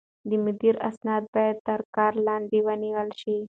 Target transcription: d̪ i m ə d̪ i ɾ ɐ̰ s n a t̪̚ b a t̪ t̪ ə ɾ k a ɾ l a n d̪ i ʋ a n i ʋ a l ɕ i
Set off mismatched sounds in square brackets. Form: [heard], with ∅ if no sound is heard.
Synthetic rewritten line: d̪ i m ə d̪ i ɾ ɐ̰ s n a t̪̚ b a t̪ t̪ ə ɾ k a ɾ l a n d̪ i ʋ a n i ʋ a l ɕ i